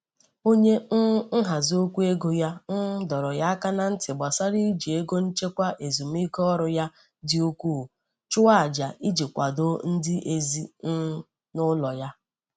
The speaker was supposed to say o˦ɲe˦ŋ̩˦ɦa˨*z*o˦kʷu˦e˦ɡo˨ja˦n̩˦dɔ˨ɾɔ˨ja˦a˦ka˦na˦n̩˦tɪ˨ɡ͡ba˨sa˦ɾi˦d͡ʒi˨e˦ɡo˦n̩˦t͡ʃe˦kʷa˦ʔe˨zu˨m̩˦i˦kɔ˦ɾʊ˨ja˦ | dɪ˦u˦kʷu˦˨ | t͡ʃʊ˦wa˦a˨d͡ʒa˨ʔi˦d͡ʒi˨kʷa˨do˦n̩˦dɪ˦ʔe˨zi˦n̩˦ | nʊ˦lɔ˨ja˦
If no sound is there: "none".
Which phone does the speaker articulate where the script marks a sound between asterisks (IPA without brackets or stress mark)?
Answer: z